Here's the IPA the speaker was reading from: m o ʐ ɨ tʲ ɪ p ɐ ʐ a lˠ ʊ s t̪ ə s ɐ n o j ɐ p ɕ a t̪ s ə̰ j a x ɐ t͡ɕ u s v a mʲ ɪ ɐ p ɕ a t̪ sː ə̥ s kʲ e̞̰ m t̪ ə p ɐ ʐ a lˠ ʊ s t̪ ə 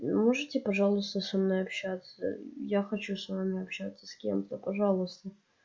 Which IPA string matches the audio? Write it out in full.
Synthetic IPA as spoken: m o ʐ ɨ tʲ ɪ p ɐ ʐ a lˠ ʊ s t̪ ə s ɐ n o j ɐ p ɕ a t̪ s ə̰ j a x ɐ t͡ɕ u s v a mʲ ɪ ɐ p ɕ a t̪ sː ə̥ s kʲ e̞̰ m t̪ ə p ɐ ʐ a lˠ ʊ s t̪ ə

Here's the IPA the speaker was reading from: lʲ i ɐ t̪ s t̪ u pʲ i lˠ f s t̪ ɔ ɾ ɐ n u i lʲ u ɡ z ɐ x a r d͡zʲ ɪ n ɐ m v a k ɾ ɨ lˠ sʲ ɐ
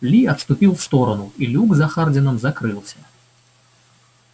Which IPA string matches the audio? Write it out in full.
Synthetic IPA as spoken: lʲ i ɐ t̪ s t̪ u pʲ i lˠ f s t̪ ɔ ɾ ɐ n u i lʲ u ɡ z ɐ x a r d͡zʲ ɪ n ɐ m z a k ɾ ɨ lˠ sʲ ɐ

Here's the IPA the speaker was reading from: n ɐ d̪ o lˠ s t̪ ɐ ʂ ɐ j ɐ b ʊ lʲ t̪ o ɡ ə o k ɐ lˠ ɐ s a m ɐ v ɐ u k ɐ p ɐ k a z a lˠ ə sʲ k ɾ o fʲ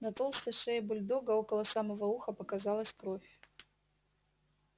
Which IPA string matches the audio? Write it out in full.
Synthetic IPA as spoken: n ɐ t̪ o lˠ s t̪ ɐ ʂ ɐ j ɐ b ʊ lʲ d̪ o ɡ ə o k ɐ lˠ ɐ s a m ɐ v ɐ u x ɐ p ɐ k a z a lˠ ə sʲ k ɾ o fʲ

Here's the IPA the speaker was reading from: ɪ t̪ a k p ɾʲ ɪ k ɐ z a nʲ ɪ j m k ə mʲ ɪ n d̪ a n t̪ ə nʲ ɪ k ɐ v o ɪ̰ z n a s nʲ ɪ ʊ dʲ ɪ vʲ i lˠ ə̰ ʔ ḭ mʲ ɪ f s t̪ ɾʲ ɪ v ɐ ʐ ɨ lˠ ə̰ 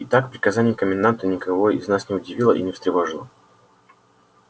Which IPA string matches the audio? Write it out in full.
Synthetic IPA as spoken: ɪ t̪ a k p ɾʲ ɪ k ɐ z a nʲ ɪ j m k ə mʲ ɪ n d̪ a n t̪ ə nʲ ɪ k ɐ v o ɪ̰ z n a s nʲ ɪ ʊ dʲ ɪ vʲ i lˠ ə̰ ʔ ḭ nʲ ɪ f s t̪ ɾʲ ɪ v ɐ ʐ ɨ lˠ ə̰

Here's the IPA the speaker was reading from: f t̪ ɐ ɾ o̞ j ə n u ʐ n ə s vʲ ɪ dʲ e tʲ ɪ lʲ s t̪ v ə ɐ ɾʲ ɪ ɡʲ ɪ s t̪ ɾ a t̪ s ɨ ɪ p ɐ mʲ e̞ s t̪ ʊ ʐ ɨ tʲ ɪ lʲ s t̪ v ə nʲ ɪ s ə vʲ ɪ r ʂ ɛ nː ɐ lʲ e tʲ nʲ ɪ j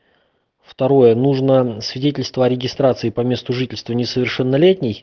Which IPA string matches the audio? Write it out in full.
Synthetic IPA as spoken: f t̪ ɐ ɾ o̞ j ə n u ʐ n ə s vʲ ɪ dʲ e tʲ ɪ lʲ s t̪ v ə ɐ ɾʲ ɪ ɡʲ ɪ s t̪ ɾ a t̪ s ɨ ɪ p ɐ mʲ e̞ s t̪ ʊ ʐ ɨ tʲ ɪ lʲ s t̪ v ə nʲ ɪ s ə vʲ ɪ r ʂ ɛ nː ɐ lʲ e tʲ nʲ ɪ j

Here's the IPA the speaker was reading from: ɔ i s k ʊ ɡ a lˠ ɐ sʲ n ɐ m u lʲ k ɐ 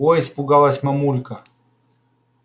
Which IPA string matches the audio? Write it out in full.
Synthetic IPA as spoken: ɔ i s p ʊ ɡ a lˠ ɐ sʲ m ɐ m u lʲ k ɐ

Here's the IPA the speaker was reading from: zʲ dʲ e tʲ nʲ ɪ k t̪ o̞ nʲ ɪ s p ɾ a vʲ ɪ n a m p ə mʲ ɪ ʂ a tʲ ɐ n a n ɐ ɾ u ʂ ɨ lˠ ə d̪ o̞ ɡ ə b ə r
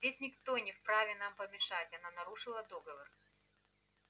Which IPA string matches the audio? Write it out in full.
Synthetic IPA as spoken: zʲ dʲ e sʲ nʲ ɪ k t̪ o̞ nʲ ɪ f p ɾ a vʲ ɪ n a m p ə mʲ ɪ ʂ a tʲ ɐ n a n ɐ ɾ u ʂ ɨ lˠ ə d̪ o̞ ɡ ə v ə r

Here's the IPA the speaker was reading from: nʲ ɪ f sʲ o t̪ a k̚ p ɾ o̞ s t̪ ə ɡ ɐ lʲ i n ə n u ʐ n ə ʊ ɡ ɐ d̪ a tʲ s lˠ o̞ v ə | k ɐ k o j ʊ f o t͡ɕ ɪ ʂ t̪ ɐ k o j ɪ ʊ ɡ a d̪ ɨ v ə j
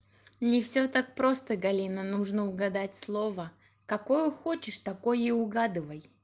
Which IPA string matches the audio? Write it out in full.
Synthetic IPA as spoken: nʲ ɪ f sʲ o t̪ a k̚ p ɾ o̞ s t̪ ə ɡ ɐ lʲ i n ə n u ʐ n ə ʊ ɡ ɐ d̪ a tʲ s lˠ o̞ v ə | k ɐ k o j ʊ x o t͡ɕ ɪ ʂ t̪ ɐ k o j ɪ ʊ ɡ a d̪ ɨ v ə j

